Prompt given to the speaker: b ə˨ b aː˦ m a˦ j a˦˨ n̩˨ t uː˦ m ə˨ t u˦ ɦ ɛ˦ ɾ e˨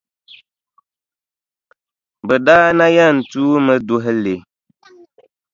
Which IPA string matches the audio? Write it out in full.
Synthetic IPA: b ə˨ d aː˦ n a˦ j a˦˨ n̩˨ t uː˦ m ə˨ d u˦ ɦ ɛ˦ l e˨